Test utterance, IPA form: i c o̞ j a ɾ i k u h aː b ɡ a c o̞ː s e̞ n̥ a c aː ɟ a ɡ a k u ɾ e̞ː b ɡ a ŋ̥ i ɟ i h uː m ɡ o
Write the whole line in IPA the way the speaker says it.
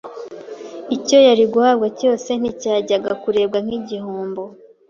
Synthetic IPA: i c o̞ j a ɾ i ɡ u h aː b ɡ a c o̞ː s e̞ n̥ i c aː ɟ a ɡ a k u ɾ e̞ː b ɡ a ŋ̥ i ɟ i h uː m b o